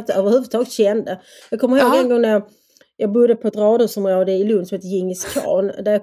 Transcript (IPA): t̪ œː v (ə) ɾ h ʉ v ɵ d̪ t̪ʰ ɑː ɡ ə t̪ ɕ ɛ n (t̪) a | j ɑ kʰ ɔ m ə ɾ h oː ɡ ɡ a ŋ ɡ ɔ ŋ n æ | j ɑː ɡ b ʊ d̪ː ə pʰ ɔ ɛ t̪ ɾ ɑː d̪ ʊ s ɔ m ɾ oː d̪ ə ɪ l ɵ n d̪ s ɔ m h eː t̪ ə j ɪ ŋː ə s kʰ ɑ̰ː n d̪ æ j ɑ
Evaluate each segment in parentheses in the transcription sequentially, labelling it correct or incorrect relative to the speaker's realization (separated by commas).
correct, incorrect